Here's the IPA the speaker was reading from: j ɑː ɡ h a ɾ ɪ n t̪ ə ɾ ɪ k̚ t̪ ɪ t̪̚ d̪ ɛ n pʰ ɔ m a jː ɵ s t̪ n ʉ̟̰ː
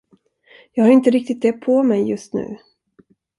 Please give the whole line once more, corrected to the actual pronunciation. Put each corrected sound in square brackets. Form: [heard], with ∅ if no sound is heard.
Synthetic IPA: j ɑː ɡ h a ɾ ɪ n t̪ ə ɾ ɪ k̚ t̪ ɪ t̪̚ d̪ ɛ [∅] pʰ ɔ m [ɛ] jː ɵ s t̪ n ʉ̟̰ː